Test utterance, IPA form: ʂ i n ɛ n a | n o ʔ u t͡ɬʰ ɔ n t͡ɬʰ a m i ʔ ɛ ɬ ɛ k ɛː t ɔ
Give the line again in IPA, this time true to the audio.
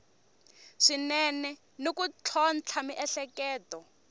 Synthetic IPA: ʂ i n ɛ n ɛ | n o k u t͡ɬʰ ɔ n t͡ɬʰ a m i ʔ ɛ ɬ ɛ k ɛː t ɔ